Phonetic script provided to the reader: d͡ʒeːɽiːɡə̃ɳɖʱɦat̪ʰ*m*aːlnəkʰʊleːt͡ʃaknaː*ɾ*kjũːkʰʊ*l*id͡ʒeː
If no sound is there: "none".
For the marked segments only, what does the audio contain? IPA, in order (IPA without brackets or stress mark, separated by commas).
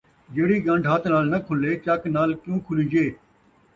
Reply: n, l, l